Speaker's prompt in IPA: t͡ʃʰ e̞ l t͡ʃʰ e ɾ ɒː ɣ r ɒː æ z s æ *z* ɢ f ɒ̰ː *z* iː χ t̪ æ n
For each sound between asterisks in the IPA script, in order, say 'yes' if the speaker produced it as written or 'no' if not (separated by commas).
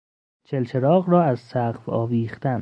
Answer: no, no